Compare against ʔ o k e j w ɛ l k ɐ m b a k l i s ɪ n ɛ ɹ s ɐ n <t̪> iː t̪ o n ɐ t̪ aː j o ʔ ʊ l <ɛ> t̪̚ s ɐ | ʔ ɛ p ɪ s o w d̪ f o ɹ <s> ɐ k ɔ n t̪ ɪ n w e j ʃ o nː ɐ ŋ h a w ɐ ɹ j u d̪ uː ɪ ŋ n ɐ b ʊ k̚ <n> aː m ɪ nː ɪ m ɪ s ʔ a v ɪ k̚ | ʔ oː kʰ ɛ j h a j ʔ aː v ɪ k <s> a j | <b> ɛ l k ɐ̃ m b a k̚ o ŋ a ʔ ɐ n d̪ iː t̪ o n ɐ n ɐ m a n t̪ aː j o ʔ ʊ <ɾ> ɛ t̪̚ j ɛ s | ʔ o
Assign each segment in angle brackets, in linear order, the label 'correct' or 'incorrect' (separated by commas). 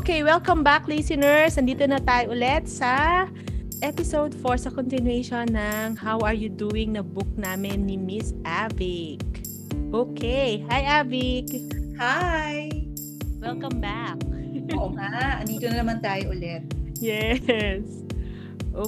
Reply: incorrect, correct, correct, correct, incorrect, incorrect, incorrect